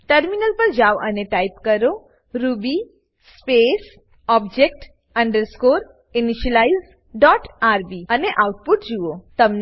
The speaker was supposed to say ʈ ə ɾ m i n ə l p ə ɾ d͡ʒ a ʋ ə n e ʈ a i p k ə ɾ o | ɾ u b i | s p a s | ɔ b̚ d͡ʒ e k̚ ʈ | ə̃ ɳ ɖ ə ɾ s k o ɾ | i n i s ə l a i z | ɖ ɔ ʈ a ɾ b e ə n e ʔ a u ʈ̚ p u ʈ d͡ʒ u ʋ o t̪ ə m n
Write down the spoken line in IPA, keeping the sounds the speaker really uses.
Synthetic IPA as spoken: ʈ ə ɾ m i n ə l p ə ɾ d͡ʒ a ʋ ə n e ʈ a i p k ə ɾ o | ɾ u b i | s p e s | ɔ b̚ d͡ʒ e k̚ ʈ | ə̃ ɳ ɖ ə ɾ s k o ɾ | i n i ʃ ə l a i z | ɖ ɔ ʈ a ɾ b i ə n e ʔ a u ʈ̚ p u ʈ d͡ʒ u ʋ o t̪ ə m n